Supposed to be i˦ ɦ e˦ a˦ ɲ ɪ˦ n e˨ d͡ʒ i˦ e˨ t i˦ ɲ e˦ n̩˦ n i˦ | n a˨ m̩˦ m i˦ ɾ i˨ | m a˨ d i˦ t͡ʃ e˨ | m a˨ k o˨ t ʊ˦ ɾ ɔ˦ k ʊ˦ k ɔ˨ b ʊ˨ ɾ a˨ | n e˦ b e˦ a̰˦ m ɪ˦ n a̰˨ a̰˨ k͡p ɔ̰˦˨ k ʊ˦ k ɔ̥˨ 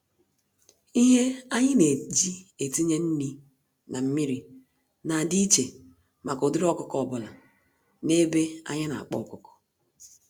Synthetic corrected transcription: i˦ ɦ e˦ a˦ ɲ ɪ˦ n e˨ d͡ʒ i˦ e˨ t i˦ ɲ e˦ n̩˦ n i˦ | n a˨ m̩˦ m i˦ ɾ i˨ | n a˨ d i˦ t͡ʃ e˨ | m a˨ k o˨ d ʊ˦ ɾ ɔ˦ k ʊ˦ k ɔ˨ b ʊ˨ l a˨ | n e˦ b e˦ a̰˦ ɲ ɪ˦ n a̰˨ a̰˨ k͡p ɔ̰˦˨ k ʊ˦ k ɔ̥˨